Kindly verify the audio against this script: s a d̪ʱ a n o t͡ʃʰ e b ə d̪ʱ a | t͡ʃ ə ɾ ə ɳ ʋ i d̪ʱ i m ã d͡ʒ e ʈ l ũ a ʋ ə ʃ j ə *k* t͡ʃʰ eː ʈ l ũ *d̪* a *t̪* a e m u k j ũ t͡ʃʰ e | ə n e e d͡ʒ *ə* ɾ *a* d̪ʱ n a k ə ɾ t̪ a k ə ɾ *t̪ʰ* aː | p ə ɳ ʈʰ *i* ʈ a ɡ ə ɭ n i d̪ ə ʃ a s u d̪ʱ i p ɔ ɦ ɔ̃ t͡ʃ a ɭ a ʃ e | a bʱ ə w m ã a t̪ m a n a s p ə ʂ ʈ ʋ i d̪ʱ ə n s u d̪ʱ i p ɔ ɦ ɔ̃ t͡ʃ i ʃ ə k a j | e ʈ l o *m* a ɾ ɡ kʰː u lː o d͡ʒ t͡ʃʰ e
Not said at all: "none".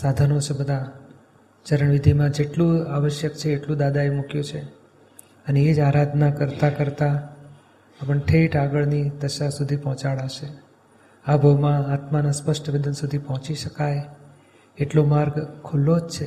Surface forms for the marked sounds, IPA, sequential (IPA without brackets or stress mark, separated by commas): k, d̪, d̪, a, a, t̪, e, m